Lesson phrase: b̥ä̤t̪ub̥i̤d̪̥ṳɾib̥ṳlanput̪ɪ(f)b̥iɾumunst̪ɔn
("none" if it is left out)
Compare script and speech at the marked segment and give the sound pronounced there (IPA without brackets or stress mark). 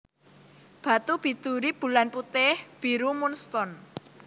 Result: h